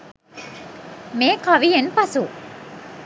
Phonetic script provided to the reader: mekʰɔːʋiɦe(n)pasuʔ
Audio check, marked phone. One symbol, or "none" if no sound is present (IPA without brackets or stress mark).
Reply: n